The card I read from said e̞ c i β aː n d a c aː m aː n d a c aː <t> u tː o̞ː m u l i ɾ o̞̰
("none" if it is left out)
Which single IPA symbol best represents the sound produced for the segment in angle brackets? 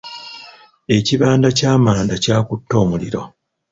k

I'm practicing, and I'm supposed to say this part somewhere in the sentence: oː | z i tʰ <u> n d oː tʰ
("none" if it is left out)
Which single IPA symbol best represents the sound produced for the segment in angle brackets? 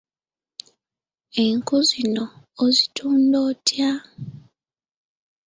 uː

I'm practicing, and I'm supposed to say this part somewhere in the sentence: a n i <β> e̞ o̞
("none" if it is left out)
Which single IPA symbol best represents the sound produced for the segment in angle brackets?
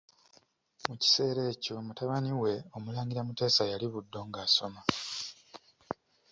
w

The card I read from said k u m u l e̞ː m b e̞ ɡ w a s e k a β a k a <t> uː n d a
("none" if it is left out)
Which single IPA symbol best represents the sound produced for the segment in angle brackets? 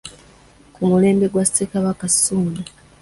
s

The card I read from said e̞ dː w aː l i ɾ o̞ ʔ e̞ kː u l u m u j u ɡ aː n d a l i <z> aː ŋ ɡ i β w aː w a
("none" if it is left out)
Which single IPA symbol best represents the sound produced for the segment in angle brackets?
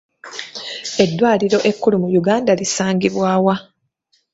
s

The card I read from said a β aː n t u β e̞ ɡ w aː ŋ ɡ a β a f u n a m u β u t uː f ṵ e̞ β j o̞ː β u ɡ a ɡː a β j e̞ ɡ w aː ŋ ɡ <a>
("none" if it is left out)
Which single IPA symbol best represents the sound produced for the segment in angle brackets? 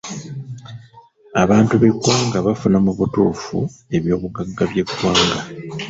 a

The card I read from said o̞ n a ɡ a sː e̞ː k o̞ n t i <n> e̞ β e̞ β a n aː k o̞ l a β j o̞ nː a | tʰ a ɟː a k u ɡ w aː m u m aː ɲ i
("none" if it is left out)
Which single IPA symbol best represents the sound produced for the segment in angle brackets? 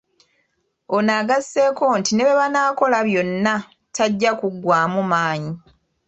n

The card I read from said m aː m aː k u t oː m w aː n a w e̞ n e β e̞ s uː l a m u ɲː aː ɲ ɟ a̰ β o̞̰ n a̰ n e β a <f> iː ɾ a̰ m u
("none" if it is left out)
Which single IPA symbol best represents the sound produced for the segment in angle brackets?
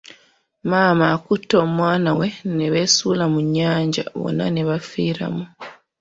f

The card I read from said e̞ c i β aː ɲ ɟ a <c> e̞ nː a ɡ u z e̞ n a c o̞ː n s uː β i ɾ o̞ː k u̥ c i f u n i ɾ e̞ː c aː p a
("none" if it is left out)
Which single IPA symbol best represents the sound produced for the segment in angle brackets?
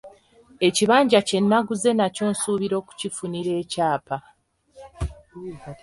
c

